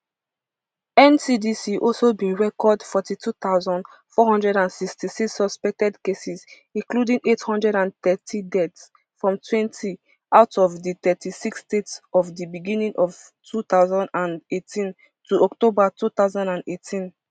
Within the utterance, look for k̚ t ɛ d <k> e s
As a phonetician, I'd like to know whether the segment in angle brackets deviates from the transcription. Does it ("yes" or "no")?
no